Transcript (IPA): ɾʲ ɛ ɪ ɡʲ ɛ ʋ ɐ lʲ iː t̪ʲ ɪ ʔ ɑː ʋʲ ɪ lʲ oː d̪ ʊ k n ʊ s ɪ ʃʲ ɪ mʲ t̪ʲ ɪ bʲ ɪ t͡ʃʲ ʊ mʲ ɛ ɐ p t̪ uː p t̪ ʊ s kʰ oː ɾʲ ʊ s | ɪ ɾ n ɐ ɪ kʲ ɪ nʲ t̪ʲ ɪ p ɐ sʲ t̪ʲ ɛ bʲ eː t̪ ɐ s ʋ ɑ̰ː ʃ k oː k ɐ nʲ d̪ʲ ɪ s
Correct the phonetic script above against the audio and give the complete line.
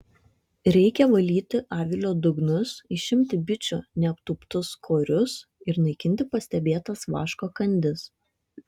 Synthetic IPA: ɾʲ ɛ ɪ kʲ ɛ ʋ ɐ lʲ iː t̪ʲ ɪ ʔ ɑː ʋʲ ɪ lʲ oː d̪ ʊ ɡ n ʊ s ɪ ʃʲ ɪ mʲ t̪ʲ ɪ bʲ ɪ t͡ʃʲ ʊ nʲ ɛ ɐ p t̪ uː p t̪ ʊ s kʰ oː ɾʲ ʊ s | ɪ ɾ n ɐ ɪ kʲ ɪ nʲ t̪ʲ ɪ p ɐ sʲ t̪ʲ ɛ bʲ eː t̪ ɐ s ʋ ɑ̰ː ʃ k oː k ɐ nʲ d̪ʲ ɪ s